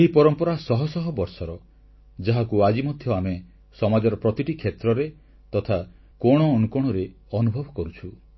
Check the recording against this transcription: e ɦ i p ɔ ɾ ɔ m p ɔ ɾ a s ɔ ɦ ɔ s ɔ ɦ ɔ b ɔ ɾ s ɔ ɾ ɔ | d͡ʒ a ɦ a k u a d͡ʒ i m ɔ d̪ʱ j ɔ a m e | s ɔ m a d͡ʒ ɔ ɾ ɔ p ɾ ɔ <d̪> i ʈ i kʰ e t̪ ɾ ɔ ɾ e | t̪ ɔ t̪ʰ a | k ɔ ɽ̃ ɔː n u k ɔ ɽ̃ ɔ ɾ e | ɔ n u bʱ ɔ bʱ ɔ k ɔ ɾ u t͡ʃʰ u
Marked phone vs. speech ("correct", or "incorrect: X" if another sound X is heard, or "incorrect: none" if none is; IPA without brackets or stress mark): incorrect: t̪